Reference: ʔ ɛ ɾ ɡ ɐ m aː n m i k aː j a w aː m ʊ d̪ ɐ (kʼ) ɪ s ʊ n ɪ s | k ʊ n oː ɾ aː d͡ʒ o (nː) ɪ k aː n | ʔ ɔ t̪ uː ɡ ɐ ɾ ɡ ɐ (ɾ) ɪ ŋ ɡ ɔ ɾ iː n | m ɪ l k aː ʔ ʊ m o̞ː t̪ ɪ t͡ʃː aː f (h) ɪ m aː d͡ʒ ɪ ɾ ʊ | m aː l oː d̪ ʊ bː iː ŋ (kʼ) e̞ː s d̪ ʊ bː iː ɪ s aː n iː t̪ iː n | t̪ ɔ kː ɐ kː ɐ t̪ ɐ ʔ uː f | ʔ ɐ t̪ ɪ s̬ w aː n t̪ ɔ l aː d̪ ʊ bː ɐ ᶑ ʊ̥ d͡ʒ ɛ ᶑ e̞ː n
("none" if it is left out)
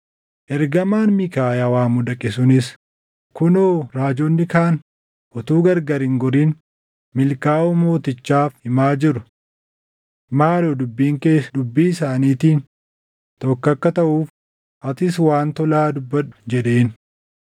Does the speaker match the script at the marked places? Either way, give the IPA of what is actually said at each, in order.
kʼ, nː, ɾ, h, k

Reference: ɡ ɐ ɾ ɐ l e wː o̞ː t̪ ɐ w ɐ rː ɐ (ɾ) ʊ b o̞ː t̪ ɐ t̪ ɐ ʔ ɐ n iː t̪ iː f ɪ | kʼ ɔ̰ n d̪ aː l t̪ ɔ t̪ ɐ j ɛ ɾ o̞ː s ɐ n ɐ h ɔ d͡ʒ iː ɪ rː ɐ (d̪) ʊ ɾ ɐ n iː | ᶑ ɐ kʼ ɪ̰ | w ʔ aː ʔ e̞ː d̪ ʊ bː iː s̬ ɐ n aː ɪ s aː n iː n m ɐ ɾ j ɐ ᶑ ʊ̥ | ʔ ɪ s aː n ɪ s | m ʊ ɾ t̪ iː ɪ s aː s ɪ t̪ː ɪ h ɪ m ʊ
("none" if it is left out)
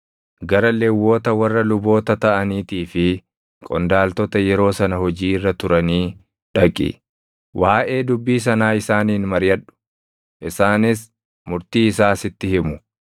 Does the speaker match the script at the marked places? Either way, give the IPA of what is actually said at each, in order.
l, t̪

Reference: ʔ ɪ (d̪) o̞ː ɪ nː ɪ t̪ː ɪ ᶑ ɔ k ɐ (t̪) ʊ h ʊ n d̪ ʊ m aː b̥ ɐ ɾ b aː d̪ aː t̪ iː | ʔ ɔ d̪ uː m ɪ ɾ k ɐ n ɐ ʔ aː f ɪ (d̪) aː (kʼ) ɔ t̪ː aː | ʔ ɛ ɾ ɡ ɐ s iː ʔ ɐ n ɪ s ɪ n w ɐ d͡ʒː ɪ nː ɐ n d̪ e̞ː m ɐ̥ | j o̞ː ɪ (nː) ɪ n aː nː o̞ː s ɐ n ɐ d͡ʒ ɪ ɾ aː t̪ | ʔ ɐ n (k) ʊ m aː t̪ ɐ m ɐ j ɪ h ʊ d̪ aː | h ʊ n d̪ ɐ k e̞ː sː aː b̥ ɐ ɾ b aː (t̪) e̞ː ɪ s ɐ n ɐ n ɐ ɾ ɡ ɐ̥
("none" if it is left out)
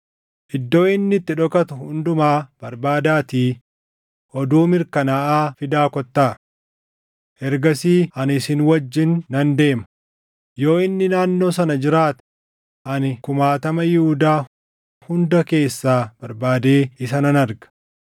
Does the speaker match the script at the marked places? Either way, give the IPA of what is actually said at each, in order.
d̪ː, t̪, d̪, k, nː, k, d̪

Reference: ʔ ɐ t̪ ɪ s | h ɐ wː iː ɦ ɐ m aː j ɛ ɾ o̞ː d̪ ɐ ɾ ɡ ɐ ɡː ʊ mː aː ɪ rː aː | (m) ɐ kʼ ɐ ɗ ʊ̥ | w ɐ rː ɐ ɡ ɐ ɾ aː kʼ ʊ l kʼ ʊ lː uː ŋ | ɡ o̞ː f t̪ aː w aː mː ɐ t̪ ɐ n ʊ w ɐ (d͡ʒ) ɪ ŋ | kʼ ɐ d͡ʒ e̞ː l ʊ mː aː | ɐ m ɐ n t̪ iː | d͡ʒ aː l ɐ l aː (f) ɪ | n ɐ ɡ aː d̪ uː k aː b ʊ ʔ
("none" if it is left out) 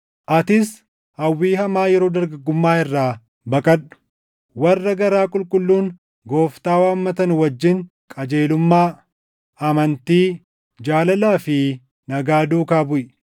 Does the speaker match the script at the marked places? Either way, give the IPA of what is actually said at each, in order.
b, d͡ʒː, f

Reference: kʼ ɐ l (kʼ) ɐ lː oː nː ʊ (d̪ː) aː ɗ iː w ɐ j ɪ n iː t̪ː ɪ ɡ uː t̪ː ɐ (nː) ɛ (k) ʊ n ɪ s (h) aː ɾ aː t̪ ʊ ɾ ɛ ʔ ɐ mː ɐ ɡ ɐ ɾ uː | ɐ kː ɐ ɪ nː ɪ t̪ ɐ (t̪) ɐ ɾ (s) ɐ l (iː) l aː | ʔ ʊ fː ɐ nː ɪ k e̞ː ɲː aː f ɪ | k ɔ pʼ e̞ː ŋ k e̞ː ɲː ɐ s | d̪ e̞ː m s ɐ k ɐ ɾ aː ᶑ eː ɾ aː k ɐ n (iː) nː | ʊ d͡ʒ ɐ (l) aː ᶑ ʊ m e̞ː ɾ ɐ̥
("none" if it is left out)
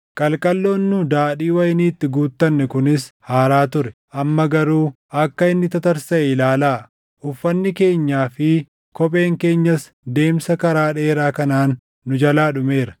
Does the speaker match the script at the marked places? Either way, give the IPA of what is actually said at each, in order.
kʼ, d̪, nː, k, h, t̪, s, aː, aː, l

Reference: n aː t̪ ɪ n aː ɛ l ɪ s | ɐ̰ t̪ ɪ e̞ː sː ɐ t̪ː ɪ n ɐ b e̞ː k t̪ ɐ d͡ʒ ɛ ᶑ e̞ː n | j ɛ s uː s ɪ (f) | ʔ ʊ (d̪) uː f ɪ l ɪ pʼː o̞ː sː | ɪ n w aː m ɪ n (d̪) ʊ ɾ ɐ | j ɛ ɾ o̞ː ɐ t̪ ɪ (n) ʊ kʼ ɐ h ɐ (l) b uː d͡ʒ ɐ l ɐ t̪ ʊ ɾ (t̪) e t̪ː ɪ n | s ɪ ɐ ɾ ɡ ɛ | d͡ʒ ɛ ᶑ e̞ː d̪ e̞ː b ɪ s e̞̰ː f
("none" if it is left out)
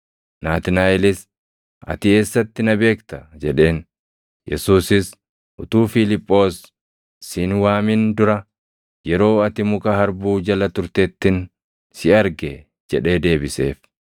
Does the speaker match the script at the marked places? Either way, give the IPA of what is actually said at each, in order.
s, t̪, d̪, m, ɾ, t̪

